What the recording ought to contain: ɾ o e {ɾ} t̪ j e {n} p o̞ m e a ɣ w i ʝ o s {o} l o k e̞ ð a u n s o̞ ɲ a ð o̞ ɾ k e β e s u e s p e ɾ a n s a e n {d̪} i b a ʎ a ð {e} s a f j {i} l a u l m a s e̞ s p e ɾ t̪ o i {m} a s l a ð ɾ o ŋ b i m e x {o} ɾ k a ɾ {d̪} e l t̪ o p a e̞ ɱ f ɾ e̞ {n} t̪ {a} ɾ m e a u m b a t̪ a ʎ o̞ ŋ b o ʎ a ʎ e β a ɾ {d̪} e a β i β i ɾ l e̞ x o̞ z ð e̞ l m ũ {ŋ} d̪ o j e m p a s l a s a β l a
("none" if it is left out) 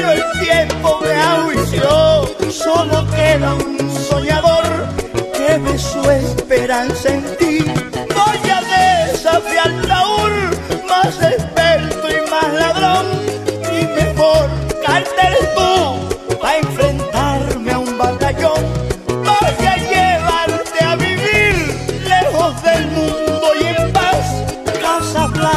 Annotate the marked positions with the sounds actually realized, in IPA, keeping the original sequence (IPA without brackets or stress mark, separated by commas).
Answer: l, m, o, t̪, e, a, m, o, t̪, n, a, t̪, n